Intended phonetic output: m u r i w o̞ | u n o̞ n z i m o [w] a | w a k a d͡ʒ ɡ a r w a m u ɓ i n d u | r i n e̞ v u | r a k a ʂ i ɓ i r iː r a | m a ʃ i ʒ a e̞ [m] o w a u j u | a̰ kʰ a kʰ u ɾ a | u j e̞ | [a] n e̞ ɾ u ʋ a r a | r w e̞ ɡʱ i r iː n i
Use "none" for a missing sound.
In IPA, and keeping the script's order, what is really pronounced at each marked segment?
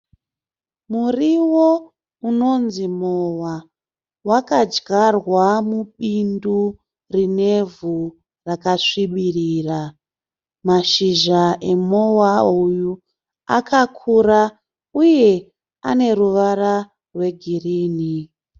w, m, a

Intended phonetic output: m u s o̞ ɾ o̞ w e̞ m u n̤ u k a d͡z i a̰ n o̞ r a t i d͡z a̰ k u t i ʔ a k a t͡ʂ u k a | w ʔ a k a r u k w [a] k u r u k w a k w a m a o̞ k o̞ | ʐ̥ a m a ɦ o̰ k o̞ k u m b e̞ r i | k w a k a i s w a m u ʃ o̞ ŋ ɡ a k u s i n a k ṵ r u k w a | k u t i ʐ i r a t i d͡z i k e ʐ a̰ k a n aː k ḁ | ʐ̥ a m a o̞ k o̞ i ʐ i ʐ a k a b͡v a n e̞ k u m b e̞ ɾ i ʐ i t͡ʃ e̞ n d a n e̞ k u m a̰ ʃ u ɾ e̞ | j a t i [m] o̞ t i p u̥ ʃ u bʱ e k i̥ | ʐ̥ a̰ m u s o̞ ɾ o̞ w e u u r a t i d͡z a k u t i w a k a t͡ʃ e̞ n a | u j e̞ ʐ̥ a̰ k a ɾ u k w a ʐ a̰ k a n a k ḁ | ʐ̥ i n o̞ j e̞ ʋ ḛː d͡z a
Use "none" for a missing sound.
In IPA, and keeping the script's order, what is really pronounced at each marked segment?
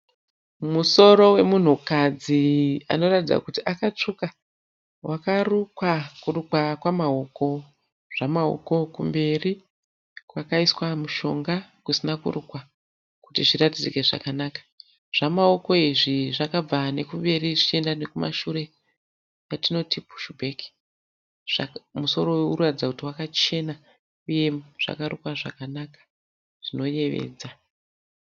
a, n

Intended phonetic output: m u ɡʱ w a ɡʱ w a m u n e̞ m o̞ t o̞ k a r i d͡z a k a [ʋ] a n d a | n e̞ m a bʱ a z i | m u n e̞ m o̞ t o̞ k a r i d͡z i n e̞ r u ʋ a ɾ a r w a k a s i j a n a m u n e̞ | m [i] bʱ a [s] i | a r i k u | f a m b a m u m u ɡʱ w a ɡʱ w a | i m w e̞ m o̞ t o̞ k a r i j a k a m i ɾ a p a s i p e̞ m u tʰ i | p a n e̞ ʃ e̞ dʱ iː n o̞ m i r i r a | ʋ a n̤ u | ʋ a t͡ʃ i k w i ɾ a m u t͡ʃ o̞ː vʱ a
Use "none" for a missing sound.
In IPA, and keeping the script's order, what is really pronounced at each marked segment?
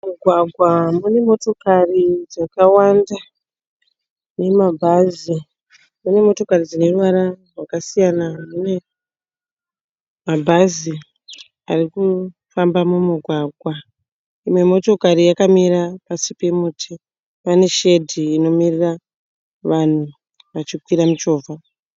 w, a, z

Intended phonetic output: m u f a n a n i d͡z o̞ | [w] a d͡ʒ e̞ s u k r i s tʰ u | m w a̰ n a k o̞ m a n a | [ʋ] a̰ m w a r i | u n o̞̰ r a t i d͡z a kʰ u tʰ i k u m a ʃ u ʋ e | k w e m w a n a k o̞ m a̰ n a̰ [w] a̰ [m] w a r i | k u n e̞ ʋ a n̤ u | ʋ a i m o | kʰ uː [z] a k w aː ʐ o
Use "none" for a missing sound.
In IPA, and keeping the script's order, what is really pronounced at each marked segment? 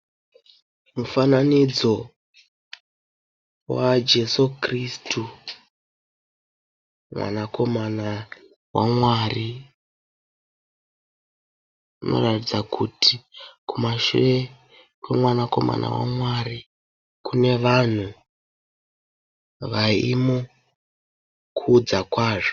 w, w, w, m, d͡z

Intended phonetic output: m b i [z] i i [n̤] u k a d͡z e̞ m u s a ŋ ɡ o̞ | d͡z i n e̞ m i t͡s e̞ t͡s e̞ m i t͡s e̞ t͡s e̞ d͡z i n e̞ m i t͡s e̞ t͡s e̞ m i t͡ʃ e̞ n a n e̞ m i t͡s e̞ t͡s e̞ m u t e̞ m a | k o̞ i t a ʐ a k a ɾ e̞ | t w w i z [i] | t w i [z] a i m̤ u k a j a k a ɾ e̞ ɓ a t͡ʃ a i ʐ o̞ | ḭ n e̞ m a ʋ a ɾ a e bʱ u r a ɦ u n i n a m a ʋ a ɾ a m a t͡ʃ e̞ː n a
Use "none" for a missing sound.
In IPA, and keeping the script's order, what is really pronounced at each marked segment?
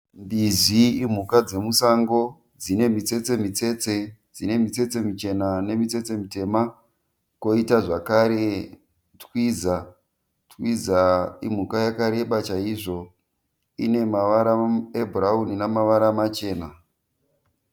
z, m̤, a, z

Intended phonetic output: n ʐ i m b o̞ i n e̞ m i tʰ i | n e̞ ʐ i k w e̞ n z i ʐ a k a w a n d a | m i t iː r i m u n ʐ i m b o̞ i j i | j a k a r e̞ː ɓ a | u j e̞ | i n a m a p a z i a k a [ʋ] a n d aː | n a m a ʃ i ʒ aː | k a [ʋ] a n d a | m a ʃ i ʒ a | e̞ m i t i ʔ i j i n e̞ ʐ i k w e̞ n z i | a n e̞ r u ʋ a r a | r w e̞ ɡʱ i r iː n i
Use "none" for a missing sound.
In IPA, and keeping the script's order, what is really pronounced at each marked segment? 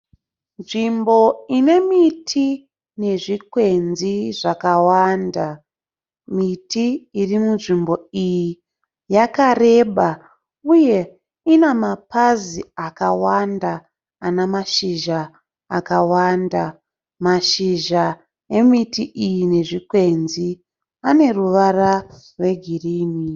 w, w

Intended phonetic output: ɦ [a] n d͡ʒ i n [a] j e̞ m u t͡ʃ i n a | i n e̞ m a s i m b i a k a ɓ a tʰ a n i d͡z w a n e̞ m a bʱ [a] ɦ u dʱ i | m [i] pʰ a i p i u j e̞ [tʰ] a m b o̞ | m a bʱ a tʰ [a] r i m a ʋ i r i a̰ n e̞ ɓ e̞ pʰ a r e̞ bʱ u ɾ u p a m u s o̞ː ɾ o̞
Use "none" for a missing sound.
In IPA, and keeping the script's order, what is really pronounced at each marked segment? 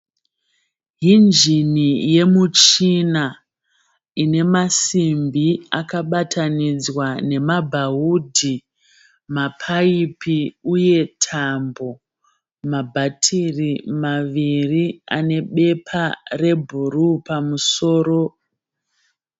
i, i, a, a, tʰ, i

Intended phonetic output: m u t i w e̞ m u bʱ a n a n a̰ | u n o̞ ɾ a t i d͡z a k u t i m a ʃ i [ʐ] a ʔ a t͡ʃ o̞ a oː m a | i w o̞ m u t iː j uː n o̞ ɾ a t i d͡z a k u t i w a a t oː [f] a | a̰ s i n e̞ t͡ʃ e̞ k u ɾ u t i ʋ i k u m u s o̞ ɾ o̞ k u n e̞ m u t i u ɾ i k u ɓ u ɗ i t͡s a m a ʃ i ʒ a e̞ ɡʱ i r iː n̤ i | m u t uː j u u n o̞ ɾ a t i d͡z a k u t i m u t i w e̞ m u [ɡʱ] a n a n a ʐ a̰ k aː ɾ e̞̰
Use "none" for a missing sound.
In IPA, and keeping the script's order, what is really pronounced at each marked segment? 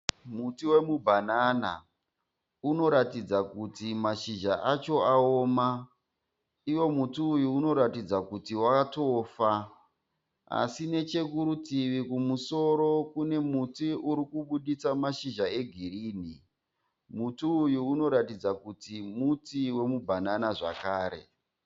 ʒ, f, bʱ

